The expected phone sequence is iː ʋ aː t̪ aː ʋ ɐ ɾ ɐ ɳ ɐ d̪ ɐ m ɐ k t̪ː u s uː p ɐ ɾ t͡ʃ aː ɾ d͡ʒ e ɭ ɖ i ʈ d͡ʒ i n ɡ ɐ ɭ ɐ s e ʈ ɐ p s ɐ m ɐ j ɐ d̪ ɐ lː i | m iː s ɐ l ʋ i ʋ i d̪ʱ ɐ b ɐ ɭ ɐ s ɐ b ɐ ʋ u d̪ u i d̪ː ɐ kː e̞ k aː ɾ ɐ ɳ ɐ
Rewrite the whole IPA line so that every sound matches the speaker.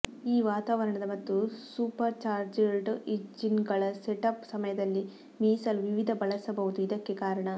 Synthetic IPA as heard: iː ʋ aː t̪ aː ʋ ɐ ɾ ɐ ɳ ɐ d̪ ɐ m ɐ t̪ː u s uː p ɐ ɾ t͡ʃ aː ɾ d͡ʒ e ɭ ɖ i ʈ d͡ʒ i n ɡ ɐ ɭ ɐ s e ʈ ɐ p s ɐ m ɐ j ɐ d̪ ɐ lː i | m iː s ɐ l ʋ i ʋ i d̪ʱ ɐ b ɐ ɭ ɐ s ɐ b ɐ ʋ u d̪ u i d̪ ɐ kː e̞ k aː ɾ ɐ ɳ ɐ